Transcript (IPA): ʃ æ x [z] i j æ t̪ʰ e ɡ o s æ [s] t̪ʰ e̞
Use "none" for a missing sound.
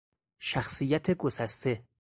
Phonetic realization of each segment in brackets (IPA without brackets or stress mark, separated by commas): s, s